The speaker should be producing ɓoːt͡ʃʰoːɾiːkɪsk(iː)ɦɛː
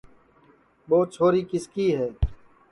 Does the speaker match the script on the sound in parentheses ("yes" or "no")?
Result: yes